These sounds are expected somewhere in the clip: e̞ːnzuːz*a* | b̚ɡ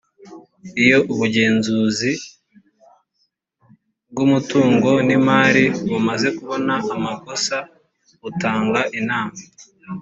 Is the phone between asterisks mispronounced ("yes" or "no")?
yes